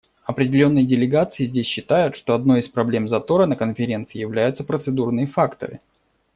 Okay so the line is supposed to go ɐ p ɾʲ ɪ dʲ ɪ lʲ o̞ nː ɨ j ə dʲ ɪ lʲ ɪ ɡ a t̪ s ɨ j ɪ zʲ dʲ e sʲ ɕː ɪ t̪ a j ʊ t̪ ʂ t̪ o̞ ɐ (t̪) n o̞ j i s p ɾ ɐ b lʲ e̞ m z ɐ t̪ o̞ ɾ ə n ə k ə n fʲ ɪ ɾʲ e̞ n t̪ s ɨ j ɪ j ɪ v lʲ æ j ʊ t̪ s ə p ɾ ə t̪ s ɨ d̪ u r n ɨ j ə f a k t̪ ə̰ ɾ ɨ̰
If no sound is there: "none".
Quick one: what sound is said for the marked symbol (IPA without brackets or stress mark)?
d̪